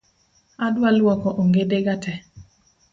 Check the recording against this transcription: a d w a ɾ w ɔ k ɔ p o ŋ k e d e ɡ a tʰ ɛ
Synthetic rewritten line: a d w a l w ɔ k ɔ ʔ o ŋ ɡ e d e ɡ a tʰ ɛ